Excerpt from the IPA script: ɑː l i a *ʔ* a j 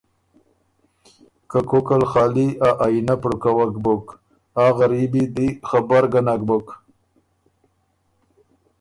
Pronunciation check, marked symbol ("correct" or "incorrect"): correct